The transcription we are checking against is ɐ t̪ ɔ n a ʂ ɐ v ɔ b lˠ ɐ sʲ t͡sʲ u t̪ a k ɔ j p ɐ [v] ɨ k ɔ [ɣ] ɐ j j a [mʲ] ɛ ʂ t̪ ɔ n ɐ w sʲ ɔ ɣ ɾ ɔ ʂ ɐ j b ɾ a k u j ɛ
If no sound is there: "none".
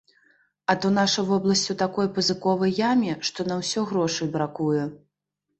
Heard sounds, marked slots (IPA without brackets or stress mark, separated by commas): z, v, mʲ